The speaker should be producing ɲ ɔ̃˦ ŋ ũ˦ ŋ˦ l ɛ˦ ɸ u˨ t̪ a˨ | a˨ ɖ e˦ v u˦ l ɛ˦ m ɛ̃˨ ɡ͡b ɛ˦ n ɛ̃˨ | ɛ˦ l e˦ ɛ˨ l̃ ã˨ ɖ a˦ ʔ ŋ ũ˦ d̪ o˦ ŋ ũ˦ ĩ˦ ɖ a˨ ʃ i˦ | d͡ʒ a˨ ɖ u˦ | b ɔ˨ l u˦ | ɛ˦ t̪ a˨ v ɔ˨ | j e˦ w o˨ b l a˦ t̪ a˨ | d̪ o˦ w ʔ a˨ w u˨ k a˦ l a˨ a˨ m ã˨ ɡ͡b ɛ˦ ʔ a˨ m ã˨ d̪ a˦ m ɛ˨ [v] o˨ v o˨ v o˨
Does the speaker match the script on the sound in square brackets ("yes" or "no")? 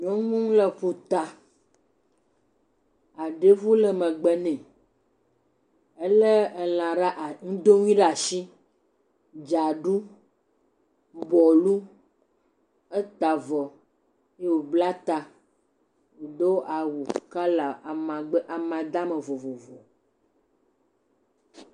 yes